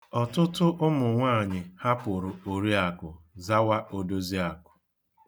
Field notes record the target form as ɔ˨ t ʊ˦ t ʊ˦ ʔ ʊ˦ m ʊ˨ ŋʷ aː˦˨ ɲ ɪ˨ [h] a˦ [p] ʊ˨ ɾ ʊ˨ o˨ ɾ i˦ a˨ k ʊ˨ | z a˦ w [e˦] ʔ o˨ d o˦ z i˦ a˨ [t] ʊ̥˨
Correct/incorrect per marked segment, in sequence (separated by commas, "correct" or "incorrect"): correct, correct, incorrect, incorrect